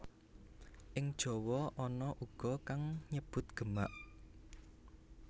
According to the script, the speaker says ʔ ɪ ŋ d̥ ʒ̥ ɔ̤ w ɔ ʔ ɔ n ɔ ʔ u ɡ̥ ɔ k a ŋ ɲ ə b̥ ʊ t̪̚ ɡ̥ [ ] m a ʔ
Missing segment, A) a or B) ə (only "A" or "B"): B